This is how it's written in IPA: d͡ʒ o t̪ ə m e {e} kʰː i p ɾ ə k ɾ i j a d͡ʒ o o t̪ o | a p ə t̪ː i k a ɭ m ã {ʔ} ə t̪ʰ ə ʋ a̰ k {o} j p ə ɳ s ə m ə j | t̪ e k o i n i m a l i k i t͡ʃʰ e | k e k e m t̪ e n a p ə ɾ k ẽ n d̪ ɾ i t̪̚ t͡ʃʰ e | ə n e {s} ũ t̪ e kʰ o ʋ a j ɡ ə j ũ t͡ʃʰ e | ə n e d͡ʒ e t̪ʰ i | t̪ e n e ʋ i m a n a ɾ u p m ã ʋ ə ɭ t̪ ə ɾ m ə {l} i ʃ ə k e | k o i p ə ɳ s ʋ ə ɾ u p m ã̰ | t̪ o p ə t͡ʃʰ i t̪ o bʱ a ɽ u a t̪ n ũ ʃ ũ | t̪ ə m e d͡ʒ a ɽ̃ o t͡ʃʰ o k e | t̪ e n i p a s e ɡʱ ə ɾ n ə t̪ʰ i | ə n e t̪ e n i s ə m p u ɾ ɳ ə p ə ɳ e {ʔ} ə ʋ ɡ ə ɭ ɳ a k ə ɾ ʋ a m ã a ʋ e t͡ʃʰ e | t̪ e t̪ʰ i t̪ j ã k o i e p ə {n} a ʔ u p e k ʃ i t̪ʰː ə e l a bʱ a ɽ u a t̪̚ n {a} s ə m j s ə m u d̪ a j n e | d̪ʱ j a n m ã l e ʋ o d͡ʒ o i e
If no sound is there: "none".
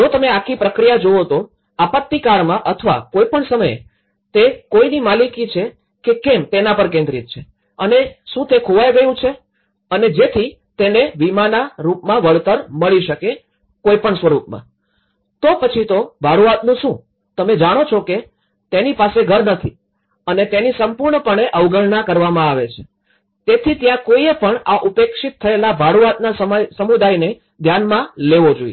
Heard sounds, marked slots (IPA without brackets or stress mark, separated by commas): a, ʔ, o, ʃ, ɭ, ʔ, ɳ, a